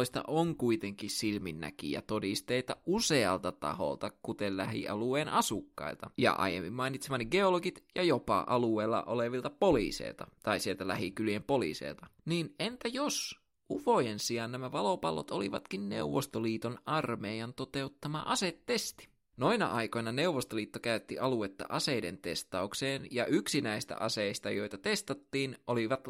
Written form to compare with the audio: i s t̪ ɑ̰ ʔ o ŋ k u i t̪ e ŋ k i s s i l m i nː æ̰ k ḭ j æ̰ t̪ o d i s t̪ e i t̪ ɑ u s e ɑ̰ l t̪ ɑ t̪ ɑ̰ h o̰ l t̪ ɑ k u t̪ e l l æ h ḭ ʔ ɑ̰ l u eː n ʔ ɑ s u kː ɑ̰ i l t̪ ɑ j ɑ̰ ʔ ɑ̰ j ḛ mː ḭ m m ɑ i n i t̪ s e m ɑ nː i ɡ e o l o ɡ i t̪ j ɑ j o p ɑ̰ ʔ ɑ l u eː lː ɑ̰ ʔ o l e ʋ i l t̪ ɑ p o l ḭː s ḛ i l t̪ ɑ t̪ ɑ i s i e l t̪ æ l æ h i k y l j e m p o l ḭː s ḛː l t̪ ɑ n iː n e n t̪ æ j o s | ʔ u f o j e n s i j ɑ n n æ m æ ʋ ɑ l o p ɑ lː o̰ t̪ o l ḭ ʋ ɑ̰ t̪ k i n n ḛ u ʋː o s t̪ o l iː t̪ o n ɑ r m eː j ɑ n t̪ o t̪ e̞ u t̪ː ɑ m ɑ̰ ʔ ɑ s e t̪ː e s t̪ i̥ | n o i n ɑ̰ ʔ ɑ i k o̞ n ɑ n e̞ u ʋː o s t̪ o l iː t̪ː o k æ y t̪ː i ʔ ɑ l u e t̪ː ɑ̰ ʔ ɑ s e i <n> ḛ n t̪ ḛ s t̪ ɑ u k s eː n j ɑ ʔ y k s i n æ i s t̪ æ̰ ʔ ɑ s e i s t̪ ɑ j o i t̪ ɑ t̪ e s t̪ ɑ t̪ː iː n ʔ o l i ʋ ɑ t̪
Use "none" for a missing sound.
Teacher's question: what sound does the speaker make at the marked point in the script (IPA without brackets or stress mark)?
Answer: d